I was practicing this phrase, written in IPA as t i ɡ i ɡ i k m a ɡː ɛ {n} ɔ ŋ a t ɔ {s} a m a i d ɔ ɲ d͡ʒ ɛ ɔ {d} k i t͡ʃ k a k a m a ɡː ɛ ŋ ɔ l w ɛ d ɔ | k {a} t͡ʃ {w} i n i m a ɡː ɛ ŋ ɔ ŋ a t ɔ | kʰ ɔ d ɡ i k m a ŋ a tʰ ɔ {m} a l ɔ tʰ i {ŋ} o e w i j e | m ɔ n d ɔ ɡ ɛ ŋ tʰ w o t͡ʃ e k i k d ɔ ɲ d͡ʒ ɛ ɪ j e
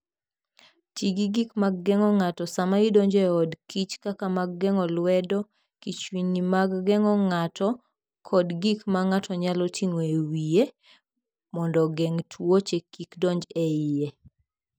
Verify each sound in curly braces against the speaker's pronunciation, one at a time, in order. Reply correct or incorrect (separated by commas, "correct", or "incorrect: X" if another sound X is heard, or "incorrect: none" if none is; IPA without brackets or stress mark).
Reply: incorrect: ŋ, correct, correct, incorrect: i, correct, incorrect: ɲ, correct